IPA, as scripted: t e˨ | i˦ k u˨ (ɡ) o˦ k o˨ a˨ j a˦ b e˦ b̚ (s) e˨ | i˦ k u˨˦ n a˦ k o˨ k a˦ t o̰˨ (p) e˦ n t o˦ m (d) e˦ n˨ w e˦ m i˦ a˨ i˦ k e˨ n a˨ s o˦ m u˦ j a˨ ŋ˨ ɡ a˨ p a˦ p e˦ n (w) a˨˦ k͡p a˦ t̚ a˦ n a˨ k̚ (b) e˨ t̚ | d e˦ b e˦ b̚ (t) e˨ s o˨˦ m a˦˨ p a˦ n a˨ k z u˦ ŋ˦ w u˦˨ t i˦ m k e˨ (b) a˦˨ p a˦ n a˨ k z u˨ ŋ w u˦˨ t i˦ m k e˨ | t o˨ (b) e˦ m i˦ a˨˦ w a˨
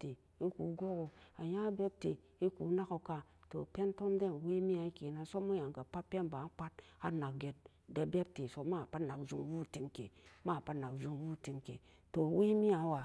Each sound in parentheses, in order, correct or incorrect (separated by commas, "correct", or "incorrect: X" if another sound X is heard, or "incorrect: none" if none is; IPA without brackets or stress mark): correct, incorrect: t, correct, correct, incorrect: b, incorrect: ɡ, correct, incorrect: m, incorrect: w